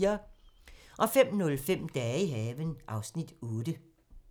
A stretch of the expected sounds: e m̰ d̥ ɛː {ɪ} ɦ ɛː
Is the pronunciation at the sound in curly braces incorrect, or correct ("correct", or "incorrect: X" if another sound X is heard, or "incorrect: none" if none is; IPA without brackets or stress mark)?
incorrect: i